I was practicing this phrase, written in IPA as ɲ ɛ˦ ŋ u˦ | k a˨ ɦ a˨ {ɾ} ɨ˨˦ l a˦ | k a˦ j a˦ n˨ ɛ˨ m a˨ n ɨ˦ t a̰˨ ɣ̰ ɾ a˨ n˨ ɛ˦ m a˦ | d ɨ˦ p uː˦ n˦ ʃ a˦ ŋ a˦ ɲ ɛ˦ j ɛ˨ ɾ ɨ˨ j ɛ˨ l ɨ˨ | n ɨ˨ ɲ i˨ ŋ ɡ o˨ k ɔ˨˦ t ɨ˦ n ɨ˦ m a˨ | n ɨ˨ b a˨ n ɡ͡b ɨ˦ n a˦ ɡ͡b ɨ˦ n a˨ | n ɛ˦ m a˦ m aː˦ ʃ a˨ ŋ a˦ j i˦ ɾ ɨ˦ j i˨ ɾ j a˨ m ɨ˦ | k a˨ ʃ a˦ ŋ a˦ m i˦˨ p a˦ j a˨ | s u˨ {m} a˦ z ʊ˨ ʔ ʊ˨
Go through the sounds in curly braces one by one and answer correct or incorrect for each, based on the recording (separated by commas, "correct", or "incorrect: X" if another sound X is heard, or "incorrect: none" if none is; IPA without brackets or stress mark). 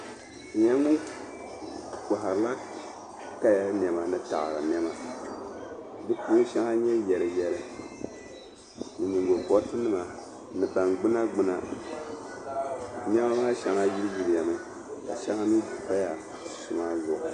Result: correct, correct